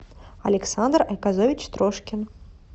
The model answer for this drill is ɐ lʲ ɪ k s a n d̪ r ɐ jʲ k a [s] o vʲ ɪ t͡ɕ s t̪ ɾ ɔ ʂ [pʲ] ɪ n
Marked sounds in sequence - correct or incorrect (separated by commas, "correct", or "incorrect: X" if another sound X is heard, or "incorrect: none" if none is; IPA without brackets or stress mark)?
incorrect: z, incorrect: kʲ